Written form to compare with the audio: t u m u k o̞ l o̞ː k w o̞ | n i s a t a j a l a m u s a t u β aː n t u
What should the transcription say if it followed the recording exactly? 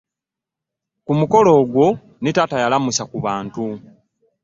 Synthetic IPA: k u m u k o̞ l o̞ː ɡ w o̞ | n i t a t a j a l a m u s a k u β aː n t u